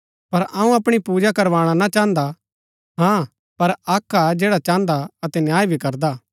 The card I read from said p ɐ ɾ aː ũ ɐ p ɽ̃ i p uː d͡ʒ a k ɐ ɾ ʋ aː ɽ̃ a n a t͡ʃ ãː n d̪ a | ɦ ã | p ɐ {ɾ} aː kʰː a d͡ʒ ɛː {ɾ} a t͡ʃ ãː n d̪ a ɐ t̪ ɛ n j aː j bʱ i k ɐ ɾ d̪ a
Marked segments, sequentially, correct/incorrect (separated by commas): correct, incorrect